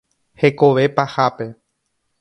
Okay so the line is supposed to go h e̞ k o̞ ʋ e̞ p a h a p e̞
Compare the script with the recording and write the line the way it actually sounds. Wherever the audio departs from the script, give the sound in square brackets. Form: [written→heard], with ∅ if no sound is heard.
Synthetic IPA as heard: h e̞ k o̞ ʋ e̞ p a h a p e̞